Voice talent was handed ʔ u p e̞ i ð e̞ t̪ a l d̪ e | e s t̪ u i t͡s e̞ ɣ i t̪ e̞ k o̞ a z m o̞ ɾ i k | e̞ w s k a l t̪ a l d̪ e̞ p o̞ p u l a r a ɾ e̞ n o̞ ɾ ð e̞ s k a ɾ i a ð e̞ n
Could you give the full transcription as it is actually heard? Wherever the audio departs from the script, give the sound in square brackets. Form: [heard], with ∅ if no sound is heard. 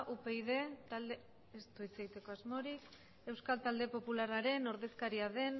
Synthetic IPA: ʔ u p e̞ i ð e̞ t̪ a l d̪ e | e s t̪ u i t͡s e̞ ɣ i t̪ e̞ k o̞ a z m o̞ ɾ i k | e̞ w s k a l t̪ a l d̪ e̞ p o̞ p u l a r a ɾ e̞ n o̞ ɾ ð e̞ s k a ɾ i a ð e̞ n